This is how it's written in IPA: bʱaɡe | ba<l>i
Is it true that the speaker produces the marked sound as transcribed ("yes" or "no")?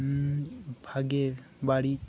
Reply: no